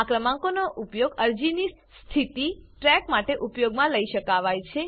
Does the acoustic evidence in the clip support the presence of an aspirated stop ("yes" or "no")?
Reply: yes